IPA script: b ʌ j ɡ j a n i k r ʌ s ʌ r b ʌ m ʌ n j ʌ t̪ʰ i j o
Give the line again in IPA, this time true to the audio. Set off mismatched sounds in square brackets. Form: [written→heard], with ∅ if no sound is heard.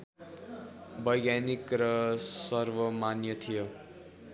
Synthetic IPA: b ʌ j ɡ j a n i k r ʌ s ʌ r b ʌ m [ʌ→a] n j ʌ t̪ʰ i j o